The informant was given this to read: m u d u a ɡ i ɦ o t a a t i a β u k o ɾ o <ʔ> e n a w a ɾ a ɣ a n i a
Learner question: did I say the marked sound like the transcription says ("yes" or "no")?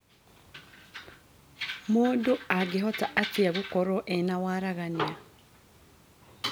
yes